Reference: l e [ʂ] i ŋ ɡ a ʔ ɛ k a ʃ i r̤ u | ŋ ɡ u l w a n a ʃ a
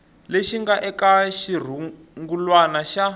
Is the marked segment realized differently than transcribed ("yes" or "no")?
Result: yes